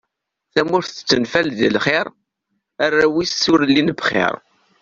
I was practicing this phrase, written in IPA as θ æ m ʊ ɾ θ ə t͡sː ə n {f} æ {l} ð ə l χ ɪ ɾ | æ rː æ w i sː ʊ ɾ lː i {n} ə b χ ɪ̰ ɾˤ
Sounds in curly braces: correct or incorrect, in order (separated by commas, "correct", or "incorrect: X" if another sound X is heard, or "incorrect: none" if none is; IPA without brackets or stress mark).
correct, correct, correct